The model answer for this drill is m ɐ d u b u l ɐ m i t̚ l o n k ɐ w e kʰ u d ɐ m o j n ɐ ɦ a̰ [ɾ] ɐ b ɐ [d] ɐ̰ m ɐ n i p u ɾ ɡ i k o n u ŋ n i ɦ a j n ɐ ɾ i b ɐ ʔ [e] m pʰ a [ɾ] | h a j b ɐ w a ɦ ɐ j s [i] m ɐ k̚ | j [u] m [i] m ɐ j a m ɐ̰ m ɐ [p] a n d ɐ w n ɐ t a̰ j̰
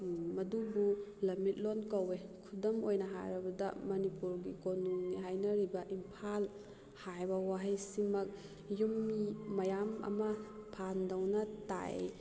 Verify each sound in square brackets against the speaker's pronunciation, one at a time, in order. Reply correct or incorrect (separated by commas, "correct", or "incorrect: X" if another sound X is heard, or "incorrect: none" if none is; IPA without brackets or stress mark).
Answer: correct, correct, incorrect: i, incorrect: l, correct, correct, correct, incorrect: pʰ